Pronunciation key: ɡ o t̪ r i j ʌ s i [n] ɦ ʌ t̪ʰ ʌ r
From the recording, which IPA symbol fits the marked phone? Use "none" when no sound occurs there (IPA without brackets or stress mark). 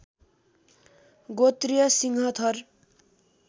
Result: ŋ